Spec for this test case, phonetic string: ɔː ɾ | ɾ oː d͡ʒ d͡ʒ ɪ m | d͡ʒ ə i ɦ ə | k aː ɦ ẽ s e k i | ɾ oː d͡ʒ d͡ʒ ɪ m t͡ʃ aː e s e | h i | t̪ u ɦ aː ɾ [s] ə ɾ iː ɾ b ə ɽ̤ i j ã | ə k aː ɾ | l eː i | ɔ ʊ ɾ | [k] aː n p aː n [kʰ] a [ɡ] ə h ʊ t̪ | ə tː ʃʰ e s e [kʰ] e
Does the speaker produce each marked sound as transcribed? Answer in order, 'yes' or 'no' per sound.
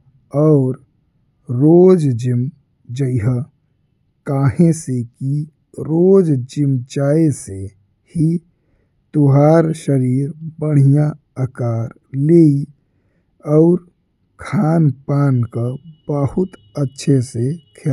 no, no, no, no, yes

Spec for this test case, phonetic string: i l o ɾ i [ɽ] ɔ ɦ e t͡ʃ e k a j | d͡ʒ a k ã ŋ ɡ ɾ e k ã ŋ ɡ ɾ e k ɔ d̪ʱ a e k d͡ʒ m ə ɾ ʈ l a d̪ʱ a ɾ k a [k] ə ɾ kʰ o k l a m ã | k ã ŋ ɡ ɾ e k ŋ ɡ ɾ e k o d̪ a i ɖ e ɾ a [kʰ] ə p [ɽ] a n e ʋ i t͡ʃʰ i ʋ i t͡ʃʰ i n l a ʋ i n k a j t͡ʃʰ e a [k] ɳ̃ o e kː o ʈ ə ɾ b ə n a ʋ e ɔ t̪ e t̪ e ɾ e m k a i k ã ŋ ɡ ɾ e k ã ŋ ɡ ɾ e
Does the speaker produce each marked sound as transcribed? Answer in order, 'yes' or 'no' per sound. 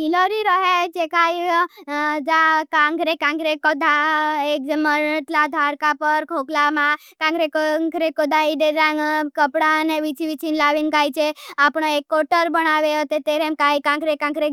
no, no, no, yes, no

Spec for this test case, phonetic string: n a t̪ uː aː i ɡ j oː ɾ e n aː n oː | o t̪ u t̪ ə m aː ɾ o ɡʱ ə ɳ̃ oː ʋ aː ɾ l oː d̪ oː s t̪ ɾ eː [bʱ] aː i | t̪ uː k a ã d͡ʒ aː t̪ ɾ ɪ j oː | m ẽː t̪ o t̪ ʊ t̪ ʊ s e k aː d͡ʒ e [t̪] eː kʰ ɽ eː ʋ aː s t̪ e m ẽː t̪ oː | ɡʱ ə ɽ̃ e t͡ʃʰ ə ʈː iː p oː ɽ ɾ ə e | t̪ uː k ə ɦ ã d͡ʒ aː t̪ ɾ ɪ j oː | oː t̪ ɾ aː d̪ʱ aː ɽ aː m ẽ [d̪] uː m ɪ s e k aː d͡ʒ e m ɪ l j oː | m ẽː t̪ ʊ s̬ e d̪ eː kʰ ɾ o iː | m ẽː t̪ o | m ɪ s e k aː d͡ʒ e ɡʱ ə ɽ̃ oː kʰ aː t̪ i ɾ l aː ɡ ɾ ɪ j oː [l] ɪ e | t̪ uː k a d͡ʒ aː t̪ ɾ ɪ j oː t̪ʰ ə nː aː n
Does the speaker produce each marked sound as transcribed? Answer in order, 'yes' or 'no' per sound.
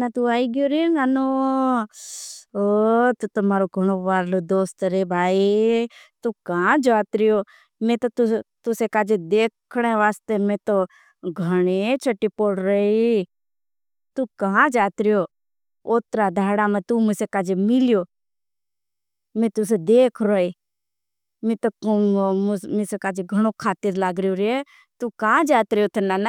yes, no, no, no

